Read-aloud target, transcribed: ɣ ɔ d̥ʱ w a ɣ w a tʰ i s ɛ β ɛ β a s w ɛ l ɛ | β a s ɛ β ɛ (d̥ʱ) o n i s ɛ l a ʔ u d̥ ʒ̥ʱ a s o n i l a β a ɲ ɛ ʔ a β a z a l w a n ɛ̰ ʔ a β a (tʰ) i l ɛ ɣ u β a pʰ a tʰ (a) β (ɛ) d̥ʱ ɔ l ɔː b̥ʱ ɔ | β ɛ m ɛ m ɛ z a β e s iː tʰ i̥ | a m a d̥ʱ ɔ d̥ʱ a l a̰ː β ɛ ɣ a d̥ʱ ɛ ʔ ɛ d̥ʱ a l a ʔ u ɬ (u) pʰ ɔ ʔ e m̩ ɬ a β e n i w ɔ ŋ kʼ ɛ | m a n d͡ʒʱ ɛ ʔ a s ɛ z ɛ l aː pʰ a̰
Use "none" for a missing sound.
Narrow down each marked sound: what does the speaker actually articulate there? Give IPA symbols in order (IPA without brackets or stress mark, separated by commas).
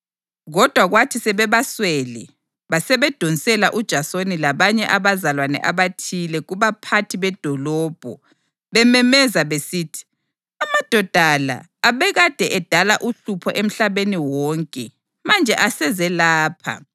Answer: d̥ʱ, tʰ, i, ɛ, u